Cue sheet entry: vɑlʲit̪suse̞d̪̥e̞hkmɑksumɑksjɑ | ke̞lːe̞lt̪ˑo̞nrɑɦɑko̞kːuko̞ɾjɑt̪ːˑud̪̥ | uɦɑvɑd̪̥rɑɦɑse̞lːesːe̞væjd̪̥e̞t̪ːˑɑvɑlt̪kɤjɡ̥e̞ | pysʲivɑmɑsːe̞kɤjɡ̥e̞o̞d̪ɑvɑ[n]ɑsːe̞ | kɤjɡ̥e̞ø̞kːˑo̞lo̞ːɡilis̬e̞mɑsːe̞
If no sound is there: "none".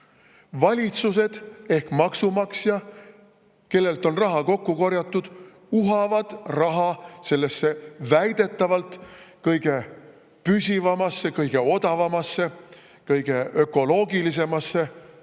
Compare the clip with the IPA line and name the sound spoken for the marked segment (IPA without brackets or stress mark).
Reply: m